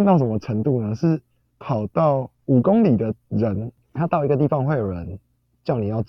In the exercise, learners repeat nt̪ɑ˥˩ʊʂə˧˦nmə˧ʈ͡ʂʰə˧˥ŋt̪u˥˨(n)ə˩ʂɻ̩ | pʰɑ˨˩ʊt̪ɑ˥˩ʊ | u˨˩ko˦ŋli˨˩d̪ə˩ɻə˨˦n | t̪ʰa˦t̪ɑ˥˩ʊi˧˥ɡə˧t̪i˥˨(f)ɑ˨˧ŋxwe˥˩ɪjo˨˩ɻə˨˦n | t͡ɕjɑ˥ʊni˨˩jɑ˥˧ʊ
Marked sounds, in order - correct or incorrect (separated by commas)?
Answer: correct, correct